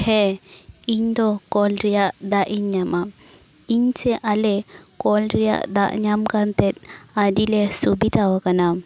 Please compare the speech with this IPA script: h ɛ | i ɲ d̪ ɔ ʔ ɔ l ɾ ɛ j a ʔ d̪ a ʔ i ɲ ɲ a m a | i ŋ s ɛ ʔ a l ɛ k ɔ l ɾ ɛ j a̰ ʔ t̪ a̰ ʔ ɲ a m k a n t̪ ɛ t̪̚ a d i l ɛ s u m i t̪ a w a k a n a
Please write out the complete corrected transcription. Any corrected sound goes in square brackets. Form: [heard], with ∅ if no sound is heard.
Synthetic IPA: h ɛ | i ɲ d̪ ɔ [k] ɔ l ɾ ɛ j a ʔ d̪ a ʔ i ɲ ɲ a m a | i [ɲ] s ɛ ʔ a l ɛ k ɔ l ɾ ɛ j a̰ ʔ [d̪] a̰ ʔ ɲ a m k a n t̪ ɛ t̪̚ a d i l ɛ s u [b] i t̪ a w a k a n a